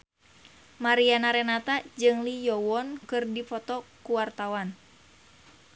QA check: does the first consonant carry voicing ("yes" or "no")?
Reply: yes